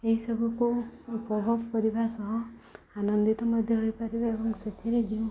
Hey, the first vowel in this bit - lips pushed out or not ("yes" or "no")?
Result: no